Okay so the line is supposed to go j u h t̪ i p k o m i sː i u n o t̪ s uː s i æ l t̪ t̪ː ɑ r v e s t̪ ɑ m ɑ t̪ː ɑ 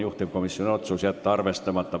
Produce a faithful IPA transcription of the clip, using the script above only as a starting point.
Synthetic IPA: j u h t̪ i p k o m i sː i o n o t̪ s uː s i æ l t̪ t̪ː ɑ r ʋ e s t̪ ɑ m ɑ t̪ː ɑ